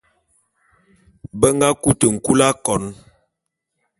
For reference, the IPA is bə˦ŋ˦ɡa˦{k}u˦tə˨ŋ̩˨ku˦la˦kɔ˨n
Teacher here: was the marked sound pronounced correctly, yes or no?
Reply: yes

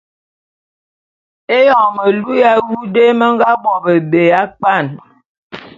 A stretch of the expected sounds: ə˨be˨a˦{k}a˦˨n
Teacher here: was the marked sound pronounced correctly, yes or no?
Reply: no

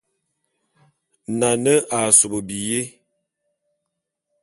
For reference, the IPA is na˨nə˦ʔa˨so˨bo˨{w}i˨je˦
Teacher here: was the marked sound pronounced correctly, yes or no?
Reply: no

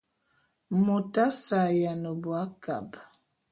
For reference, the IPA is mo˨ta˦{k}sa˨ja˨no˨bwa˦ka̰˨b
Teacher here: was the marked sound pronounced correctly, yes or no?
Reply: no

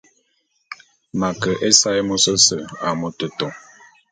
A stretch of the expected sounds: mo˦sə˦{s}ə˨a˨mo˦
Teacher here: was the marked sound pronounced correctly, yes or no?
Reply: yes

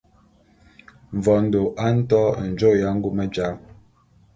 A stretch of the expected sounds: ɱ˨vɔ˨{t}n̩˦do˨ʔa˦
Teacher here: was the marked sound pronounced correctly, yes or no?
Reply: no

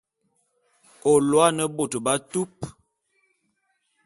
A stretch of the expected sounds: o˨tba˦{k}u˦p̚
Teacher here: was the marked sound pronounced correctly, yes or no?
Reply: no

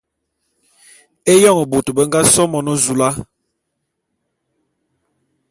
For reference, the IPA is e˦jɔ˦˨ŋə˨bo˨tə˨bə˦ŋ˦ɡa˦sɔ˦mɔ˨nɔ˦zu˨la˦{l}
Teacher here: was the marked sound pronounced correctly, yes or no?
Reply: no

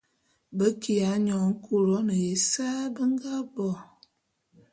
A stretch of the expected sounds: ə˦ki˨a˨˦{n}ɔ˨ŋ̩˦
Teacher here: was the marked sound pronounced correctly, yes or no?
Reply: no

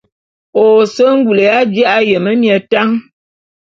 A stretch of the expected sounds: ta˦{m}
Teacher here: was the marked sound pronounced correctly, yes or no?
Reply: no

